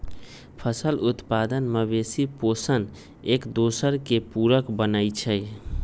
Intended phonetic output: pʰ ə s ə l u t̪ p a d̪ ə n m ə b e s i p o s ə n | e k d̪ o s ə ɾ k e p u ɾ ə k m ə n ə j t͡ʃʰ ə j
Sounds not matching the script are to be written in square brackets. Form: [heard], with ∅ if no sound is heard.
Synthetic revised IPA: pʰ ə s ə l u t̪ p a d̪ ə n m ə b e s i p o s ə n | e k d̪ o s ə ɾ k e p u ɾ ə k [b] ə n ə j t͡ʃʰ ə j